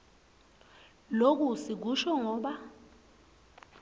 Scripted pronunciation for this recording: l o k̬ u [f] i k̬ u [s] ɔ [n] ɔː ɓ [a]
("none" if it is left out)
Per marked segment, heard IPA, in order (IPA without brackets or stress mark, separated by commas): s, ʃ, ŋ, a